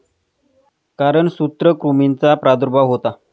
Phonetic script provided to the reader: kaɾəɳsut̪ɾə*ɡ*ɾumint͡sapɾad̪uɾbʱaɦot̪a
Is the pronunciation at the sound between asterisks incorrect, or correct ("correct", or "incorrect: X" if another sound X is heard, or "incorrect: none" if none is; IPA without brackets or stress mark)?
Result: incorrect: k